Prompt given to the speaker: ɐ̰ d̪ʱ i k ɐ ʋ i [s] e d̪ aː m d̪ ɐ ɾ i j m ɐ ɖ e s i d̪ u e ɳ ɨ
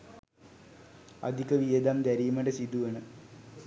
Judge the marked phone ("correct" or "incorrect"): incorrect